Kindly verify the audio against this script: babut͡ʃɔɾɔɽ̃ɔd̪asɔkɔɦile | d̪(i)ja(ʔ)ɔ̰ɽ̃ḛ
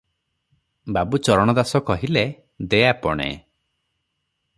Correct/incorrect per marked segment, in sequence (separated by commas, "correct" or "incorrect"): incorrect, incorrect